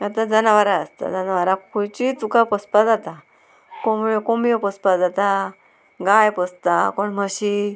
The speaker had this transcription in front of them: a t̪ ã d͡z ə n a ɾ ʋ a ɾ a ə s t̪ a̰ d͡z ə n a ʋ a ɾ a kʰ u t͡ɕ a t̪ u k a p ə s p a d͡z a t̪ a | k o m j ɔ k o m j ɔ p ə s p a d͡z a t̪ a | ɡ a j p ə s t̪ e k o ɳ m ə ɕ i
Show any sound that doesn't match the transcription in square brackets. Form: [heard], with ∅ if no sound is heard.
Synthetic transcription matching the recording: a t̪ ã d͡z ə n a [∅] ʋ a ɾ a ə s t̪ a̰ d͡z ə n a ʋ a ɾ a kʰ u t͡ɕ [i] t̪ u k a p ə s p a d͡z a t̪ a | k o m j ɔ k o m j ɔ p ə s p a d͡z a t̪ a | ɡ a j p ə s t̪ [a] k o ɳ m ə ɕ i